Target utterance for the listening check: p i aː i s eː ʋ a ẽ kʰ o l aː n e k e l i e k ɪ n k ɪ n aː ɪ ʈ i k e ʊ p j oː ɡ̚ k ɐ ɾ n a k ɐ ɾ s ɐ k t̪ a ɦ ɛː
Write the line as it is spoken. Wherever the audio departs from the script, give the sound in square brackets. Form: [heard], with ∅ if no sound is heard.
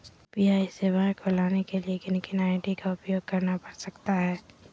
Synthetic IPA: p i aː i s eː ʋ a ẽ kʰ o l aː n e k e l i e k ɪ n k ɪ n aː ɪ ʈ i k [a] ʊ p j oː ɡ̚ k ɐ ɾ n a [p] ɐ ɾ s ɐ k t̪ a ɦ ɛː